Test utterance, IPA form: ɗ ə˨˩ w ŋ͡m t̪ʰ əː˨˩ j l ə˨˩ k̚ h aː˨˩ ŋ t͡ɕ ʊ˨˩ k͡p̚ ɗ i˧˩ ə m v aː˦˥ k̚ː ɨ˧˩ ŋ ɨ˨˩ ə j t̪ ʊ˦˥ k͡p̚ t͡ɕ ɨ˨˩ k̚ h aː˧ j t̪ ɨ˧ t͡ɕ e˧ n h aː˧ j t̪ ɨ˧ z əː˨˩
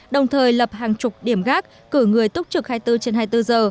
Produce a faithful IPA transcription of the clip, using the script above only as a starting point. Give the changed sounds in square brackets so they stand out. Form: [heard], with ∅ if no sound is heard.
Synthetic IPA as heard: ɗ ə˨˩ w ŋ͡m t̪ʰ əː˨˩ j l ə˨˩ [p̚] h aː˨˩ ŋ t͡ɕ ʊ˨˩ k͡p̚ ɗ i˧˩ ə m [ɣ] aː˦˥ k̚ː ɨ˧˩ ŋ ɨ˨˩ ə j t̪ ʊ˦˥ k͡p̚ t͡ɕ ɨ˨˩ k̚ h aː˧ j t̪ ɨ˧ t͡ɕ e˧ n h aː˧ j t̪ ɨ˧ z əː˨˩